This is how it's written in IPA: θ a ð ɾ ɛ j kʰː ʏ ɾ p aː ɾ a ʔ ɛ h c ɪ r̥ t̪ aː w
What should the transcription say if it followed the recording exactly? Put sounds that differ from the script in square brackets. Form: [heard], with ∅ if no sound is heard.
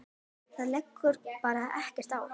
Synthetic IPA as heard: θ a ð [l] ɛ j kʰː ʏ ɾ p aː ɾ a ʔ ɛ h c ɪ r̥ t̪ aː w